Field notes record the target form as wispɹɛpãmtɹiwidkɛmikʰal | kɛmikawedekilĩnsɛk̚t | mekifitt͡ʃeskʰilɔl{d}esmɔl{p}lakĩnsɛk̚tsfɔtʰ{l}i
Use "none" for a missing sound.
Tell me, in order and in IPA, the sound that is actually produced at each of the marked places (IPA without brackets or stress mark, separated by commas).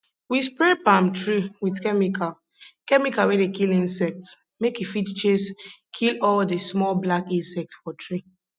d, b, ɹ